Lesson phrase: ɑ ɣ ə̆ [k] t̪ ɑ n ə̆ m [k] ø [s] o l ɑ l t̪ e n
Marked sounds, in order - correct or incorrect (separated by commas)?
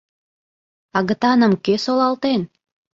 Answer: incorrect, correct, correct